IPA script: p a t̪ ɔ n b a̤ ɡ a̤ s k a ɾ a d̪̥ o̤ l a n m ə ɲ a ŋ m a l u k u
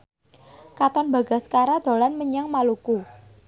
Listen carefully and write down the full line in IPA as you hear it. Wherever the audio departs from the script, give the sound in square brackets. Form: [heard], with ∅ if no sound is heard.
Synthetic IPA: [k] a t̪ ɔ n b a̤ ɡ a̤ s k a ɾ a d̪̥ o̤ l a n m ə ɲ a ŋ m a l u k u